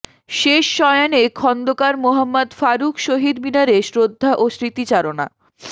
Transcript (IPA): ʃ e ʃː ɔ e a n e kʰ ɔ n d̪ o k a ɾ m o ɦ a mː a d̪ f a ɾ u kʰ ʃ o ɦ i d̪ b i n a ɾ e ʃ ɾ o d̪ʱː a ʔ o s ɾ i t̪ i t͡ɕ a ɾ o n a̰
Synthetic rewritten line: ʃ e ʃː ɔ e a n e kʰ ɔ n d̪ o k a ɾ m o ɦ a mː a d̪ f a ɾ u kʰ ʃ o ɦ i d̪ b i n a ɾ e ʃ ɾ o d̪ʱː a ʔ o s ɾ i t̪ i t͡ɕ a ɾ o n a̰